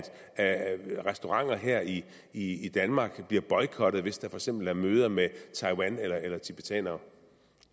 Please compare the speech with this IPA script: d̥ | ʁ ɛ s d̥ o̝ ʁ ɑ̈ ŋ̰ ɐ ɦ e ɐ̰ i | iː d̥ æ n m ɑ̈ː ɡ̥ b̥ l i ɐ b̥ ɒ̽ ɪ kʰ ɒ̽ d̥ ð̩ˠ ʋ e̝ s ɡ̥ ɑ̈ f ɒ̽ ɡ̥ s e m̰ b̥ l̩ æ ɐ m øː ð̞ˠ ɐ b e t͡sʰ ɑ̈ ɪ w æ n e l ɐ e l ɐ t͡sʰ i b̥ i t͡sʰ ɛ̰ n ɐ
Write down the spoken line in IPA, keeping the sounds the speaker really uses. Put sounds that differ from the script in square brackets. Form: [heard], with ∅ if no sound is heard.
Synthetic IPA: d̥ | ʁ ɛ s d̥ o̝ ʁ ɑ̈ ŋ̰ ɐ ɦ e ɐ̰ i | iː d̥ æ n m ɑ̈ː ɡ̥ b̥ l i ɐ b̥ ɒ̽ ɪ kʰ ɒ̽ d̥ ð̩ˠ ʋ e̝ s [d̥] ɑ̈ f ɒ̽ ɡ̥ s e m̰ b̥ l̩ æ ɐ m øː ð̞ˠ ɐ [m] e t͡sʰ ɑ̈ ɪ w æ n e l ɐ e l ɐ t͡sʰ i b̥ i t͡sʰ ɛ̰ n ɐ